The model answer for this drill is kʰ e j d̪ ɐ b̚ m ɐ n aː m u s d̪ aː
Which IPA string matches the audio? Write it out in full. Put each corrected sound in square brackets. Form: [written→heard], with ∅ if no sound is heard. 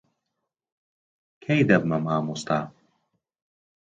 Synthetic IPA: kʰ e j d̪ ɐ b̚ m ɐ [n→m] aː m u s [d̪→t̪] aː